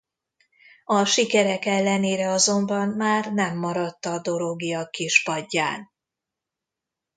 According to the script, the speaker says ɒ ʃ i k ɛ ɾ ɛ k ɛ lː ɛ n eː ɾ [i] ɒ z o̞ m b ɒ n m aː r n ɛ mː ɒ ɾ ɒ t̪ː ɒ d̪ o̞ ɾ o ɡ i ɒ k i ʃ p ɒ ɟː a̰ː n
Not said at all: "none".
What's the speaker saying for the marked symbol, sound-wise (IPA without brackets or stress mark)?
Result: ɛ